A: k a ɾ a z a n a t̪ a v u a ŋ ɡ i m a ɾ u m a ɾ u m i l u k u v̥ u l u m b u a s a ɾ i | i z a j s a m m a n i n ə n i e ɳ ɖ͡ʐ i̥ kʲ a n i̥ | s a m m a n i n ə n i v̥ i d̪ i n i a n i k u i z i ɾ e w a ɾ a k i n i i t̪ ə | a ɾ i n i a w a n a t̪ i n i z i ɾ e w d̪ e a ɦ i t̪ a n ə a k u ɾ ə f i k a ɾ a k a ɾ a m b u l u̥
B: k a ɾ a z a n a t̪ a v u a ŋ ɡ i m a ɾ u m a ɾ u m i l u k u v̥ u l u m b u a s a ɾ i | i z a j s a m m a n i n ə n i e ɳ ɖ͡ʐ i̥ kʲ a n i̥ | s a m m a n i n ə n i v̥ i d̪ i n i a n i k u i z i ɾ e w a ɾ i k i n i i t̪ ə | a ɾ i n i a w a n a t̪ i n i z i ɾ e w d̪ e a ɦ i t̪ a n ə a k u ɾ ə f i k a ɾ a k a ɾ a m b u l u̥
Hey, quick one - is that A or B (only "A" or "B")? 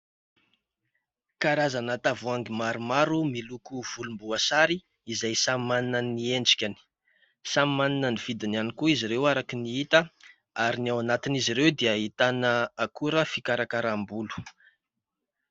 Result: A